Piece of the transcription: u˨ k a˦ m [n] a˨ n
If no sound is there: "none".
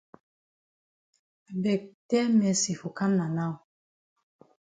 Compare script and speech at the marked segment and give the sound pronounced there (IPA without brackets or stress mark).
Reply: n